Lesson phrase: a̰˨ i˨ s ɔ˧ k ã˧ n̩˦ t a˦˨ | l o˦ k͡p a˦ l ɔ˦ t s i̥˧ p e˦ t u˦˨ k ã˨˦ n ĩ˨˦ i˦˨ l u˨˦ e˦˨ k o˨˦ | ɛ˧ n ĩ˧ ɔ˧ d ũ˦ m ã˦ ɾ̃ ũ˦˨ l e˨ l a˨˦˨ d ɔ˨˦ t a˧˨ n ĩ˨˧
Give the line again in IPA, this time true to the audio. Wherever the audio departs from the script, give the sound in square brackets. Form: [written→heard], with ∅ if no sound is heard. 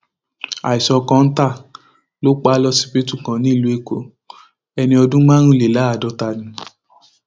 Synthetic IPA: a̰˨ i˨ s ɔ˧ k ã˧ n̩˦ t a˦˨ | l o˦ k͡p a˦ l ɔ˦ [t→∅] s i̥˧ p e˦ t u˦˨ k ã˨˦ n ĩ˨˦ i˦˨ l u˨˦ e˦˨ k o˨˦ | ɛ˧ n ĩ˧ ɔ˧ d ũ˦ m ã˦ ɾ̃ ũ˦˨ l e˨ l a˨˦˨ d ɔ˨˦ t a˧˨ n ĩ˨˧